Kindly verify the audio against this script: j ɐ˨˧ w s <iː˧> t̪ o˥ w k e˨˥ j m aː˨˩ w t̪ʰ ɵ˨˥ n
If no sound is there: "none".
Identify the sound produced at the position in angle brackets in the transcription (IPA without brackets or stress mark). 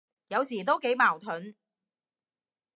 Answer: iː˨˩